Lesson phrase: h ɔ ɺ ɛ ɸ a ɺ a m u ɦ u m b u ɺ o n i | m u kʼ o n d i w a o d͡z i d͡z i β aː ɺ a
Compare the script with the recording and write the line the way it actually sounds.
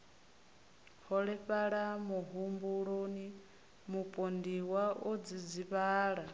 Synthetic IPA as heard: h ɔ ɺ ɛ ɸ a ɺ a m u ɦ u m b u ɺ o n i | m u pʼ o n d i w a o d͡z i d͡z i β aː ɺ a